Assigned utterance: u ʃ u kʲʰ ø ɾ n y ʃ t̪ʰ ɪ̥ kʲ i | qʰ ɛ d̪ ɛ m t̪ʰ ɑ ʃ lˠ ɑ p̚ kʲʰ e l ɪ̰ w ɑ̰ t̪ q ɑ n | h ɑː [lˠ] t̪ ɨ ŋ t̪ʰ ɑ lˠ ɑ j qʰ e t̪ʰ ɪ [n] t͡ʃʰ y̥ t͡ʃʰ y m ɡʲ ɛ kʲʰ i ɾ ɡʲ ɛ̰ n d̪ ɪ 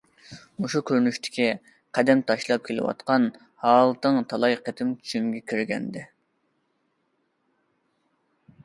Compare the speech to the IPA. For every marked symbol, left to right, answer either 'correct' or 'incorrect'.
correct, incorrect: m

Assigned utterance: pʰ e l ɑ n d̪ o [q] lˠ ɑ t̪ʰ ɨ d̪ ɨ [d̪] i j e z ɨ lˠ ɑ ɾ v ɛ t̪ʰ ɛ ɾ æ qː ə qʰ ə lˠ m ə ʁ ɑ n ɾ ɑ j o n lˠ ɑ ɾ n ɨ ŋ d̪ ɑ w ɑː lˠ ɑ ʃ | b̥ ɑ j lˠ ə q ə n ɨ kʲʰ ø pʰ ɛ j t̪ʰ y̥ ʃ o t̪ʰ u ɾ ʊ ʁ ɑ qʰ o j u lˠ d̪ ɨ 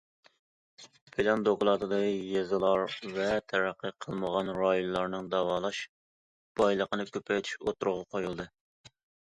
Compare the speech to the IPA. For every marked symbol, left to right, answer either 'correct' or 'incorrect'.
incorrect: k, incorrect: none

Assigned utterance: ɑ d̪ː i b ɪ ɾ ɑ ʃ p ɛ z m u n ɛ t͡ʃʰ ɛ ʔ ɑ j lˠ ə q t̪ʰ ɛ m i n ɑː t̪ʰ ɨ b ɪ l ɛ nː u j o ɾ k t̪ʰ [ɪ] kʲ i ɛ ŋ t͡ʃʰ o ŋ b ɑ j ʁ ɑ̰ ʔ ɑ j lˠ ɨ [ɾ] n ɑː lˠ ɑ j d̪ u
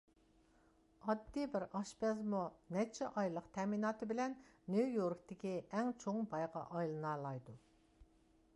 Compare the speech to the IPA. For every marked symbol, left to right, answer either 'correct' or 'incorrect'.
correct, incorrect: none

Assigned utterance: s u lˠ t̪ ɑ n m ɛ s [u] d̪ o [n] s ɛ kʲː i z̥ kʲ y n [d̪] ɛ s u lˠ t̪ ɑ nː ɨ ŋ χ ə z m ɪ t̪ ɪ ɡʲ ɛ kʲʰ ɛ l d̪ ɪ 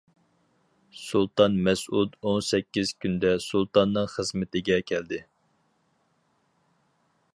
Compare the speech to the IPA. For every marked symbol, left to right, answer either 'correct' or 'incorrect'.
correct, correct, correct

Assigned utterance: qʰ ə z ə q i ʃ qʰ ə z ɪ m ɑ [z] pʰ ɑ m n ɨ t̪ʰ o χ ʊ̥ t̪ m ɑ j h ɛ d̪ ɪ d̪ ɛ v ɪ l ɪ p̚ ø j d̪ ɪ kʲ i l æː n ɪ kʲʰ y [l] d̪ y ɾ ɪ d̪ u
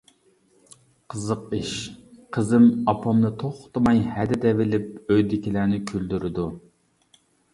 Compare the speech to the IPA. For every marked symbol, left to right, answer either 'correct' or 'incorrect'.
incorrect: none, correct

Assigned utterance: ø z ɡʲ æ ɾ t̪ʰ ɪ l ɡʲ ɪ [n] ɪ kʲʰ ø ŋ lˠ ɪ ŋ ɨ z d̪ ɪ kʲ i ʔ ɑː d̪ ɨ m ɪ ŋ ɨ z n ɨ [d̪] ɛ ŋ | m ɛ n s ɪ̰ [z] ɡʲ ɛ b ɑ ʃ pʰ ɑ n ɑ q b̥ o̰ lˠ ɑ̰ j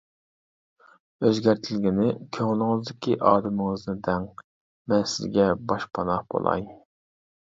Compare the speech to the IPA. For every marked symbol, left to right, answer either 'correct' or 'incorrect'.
correct, correct, correct

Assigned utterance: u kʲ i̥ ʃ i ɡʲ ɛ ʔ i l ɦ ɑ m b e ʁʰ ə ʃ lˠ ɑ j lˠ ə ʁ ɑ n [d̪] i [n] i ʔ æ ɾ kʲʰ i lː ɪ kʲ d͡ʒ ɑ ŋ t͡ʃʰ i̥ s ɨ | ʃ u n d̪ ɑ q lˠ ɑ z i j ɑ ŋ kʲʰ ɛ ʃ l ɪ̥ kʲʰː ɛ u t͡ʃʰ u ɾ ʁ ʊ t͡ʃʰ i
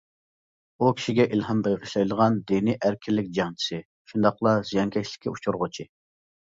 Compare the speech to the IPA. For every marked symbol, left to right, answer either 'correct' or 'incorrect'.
correct, correct

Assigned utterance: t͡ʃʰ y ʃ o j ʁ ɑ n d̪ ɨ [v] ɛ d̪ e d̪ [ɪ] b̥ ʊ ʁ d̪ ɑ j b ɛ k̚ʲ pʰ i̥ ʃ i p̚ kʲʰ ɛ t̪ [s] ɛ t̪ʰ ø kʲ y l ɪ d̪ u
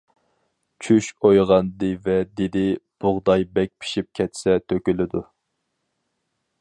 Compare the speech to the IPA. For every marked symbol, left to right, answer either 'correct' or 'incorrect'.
correct, correct, correct

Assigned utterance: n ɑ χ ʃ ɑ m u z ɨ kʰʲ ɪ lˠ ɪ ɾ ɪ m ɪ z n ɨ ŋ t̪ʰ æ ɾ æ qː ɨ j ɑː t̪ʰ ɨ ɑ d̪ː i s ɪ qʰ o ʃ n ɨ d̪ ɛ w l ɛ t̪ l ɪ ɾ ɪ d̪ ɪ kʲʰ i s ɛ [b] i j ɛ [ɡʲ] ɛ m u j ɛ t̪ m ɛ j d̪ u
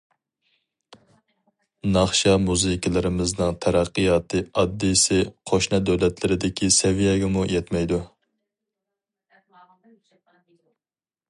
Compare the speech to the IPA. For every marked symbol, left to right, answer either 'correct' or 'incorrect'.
incorrect: v, correct

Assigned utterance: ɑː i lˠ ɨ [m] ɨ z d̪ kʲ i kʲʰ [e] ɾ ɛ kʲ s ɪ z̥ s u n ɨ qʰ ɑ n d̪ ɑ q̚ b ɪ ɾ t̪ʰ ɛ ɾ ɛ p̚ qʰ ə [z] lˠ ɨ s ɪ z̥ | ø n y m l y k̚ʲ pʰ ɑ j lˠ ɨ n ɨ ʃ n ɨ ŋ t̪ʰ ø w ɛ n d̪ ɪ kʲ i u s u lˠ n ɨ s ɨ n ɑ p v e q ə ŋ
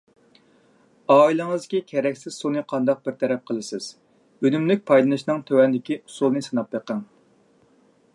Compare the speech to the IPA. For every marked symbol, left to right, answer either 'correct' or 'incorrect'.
incorrect: ŋ, incorrect: ɛ, incorrect: none

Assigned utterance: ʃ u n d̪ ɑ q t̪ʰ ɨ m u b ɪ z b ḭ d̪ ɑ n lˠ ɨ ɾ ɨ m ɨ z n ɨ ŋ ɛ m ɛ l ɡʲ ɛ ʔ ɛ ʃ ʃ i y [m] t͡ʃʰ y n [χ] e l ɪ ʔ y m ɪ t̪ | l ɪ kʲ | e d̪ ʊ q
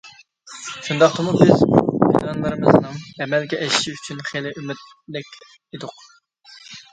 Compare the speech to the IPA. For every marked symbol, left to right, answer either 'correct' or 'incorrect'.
incorrect: none, correct

